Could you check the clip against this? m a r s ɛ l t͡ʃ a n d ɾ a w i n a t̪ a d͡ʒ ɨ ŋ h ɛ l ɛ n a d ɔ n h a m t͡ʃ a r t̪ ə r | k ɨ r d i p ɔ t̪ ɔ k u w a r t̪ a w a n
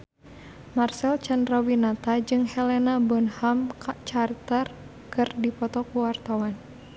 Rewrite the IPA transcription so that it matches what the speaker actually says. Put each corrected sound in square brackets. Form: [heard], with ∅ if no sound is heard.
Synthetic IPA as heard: m a r s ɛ l t͡ʃ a n d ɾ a w i n a t̪ a d͡ʒ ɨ ŋ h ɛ l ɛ n a [b] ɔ n h a m t͡ʃ a r t̪ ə r | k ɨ r d i p ɔ t̪ ɔ k u w a r t̪ a w a n